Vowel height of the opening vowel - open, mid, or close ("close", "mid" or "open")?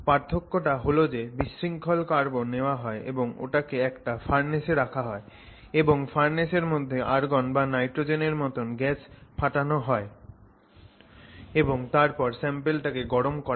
open